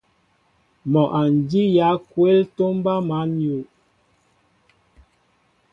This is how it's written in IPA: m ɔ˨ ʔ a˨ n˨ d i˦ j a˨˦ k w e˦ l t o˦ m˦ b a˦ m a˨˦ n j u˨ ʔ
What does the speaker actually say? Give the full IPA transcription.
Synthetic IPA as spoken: m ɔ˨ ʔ a˨ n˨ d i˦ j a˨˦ k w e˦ l t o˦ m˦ b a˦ m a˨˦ n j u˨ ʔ